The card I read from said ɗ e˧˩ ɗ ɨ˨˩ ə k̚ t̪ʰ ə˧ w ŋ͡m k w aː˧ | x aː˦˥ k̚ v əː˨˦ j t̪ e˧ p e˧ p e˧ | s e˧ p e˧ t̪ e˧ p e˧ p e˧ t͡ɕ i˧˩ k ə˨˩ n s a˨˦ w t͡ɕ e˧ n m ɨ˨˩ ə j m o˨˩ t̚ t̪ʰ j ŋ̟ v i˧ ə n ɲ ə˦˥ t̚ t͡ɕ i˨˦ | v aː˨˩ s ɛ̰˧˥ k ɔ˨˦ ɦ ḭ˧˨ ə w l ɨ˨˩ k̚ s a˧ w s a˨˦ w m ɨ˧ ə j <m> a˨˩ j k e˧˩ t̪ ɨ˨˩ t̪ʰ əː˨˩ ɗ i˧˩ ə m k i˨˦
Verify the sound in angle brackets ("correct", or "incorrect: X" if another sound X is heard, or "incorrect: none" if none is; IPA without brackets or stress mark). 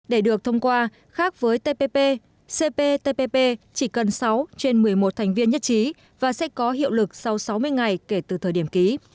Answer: incorrect: ŋ